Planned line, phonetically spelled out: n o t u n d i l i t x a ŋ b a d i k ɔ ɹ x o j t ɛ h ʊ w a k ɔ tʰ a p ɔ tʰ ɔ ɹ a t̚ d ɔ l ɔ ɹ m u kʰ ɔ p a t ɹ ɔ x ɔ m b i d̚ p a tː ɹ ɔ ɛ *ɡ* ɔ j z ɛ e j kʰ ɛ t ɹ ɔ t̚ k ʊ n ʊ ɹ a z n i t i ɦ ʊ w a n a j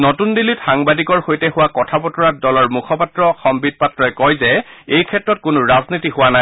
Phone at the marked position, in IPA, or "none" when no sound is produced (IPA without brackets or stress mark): k